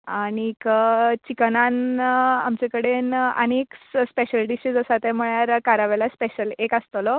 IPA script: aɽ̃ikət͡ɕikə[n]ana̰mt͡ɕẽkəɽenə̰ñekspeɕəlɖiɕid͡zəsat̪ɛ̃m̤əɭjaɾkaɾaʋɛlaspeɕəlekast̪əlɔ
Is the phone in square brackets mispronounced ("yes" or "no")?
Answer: no